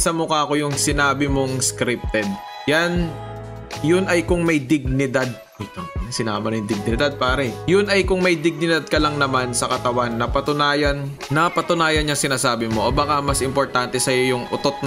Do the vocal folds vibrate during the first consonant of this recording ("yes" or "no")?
no